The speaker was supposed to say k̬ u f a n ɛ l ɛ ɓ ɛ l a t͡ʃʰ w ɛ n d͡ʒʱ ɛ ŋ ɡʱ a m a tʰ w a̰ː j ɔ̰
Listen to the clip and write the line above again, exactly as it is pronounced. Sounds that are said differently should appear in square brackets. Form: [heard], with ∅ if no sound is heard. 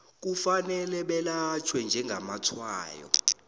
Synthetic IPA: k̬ u f a n ɛ l ɛ ɓ ɛ l a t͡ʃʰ w ɛ n d͡ʒʱ ɛ ŋ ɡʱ a m a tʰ w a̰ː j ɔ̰